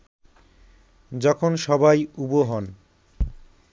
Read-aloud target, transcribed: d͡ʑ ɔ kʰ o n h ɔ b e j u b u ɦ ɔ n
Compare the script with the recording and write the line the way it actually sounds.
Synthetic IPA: d͡ʑ ɔ kʰ o n ʃ ɔ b a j u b o ɦ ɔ n